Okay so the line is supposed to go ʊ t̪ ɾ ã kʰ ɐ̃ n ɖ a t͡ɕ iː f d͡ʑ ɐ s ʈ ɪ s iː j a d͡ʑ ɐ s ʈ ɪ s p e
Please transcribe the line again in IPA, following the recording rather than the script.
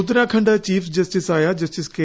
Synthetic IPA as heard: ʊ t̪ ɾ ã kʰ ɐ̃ ɳ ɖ a t͡ɕ iː f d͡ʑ ɐ s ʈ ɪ s aː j a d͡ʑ ɐ s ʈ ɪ s k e

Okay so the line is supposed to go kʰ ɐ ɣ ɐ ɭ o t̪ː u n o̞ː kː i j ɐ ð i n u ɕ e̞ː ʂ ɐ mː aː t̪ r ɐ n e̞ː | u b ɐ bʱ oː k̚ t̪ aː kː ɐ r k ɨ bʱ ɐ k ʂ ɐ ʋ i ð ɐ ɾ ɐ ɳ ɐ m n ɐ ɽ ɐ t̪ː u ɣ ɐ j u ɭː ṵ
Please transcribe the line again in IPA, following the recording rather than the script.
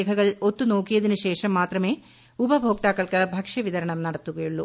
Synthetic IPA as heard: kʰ ɐ ɣ ɐ ɭ o t̪ː u n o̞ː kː i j ɐ ð i n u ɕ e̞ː ʂ ɐ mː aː t̪ r ɐ m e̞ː | u b ɐ bʱ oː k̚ t̪ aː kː ɐ ɭ k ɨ bʱ ɐ k ʂ ɐ ʋ i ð ɐ ɾ ɐ ɳ ɐ m n ɐ ɽ ɐ t̪ː u ɣ ɐ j u ɭː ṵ

